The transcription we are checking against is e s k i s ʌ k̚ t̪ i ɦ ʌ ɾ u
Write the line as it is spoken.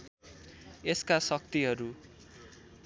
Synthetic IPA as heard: e s k a s ʌ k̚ t̪ i ɦ ʌ ɾ u